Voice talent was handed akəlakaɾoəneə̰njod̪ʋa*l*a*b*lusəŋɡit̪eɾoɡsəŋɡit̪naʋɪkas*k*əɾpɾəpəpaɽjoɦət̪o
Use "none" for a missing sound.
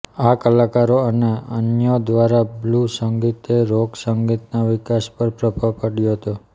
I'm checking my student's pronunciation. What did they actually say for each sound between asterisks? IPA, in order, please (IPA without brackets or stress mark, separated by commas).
ɾ, b, p